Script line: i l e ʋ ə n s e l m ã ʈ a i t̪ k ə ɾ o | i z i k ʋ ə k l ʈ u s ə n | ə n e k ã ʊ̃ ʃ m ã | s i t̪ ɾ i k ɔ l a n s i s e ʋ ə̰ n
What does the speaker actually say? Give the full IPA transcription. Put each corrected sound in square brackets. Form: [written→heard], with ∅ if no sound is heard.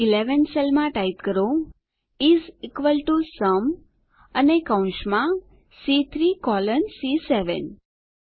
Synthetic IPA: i l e ʋ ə n s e l m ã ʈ a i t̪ k ə ɾ o | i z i k ʋ ə [k→∅] l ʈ u s ə [n→m] | ə n e k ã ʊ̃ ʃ m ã | s i [t̪→t̪ʰ] ɾ i k ɔ l [a→ə] n s i s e ʋ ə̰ n